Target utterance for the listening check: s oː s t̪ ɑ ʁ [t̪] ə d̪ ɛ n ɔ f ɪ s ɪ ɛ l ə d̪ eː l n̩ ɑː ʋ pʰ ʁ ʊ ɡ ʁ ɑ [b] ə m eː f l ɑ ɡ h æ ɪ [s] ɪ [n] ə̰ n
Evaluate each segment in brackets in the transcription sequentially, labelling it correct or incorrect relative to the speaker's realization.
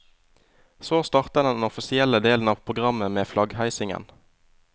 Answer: correct, incorrect, correct, incorrect

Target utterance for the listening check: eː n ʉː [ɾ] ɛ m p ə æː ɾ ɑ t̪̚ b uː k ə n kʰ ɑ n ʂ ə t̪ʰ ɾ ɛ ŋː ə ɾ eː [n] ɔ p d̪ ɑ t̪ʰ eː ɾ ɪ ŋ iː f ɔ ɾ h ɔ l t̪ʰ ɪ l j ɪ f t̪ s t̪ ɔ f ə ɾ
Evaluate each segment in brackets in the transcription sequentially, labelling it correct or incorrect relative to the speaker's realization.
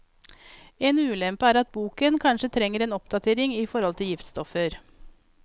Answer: incorrect, correct

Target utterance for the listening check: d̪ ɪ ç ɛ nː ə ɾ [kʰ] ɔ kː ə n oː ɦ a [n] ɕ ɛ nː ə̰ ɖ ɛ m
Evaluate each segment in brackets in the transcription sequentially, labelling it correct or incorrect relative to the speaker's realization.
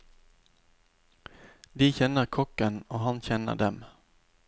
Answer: correct, correct

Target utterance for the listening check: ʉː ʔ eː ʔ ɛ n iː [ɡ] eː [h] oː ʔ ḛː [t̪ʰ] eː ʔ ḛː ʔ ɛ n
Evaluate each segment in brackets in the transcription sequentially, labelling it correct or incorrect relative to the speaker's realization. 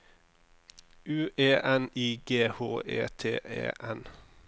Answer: correct, correct, correct

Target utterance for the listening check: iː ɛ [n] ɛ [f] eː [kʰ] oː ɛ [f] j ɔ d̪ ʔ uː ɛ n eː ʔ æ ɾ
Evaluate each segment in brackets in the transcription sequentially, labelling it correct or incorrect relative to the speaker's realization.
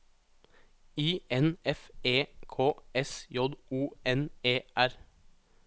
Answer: correct, correct, correct, incorrect

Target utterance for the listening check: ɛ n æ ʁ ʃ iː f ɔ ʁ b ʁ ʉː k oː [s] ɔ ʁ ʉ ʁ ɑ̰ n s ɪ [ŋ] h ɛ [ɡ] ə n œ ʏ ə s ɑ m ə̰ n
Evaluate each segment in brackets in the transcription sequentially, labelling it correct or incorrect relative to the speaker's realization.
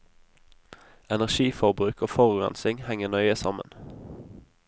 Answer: incorrect, correct, incorrect

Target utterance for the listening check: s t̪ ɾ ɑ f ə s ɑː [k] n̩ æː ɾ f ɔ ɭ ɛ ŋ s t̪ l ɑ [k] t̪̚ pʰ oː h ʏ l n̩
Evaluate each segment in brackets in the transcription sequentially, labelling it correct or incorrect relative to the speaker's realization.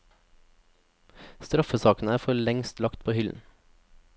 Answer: correct, correct

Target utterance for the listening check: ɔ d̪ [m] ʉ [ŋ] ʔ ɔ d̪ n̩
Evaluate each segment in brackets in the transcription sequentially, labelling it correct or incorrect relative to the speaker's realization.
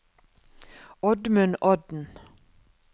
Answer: correct, incorrect

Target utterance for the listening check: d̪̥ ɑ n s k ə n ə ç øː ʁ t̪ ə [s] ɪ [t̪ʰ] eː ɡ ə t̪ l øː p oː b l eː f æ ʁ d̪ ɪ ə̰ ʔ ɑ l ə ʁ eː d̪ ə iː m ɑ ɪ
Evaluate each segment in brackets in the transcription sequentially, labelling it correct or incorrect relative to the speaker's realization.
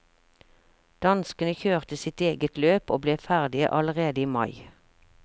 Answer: correct, incorrect

